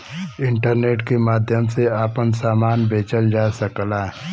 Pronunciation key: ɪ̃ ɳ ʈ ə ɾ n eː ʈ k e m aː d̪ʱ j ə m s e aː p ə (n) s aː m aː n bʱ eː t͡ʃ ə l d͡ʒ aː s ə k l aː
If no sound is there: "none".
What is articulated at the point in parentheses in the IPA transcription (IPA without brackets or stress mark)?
n